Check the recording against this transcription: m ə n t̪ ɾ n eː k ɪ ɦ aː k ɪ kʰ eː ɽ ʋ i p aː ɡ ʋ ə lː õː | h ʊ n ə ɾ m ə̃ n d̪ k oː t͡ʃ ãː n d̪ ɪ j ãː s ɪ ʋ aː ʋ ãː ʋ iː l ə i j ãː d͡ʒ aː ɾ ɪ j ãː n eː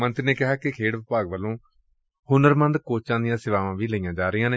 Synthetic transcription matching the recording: m ə n t̪ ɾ n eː k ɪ ɦ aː k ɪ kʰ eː ɽ ʋ ɪ p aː ɡ ʋ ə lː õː | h ʊ n ə ɾ m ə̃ n d̪ k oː t͡ʃ ãː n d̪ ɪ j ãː s ɪ ʋ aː ʋ ãː ʋ iː l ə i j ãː d͡ʒ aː ɾ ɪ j ãː n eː